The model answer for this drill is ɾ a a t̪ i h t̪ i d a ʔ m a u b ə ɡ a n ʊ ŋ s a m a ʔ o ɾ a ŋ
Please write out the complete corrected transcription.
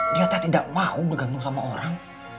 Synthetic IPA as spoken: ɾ i a t̪ a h t̪ i d a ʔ m a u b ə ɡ a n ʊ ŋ s a m a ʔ o ɾ a ŋ